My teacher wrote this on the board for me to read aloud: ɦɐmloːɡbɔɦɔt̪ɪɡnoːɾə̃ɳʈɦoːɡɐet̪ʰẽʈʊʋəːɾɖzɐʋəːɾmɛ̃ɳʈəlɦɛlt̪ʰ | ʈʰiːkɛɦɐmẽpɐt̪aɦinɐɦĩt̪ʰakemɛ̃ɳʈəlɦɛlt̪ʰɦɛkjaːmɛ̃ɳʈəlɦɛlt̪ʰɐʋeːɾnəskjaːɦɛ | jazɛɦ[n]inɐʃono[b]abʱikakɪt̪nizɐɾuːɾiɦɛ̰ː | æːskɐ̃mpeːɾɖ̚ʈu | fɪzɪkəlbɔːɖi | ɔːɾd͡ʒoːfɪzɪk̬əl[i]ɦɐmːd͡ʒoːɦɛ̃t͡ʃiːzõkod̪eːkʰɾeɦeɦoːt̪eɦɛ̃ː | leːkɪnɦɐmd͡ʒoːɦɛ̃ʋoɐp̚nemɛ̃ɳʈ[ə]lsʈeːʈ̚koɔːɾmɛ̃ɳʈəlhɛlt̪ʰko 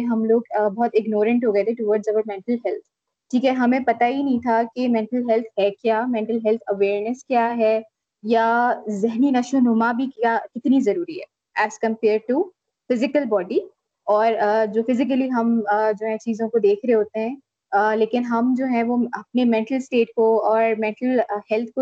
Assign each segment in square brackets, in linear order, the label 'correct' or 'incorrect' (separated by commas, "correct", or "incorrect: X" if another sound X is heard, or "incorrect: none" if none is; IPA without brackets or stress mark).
correct, incorrect: m, correct, correct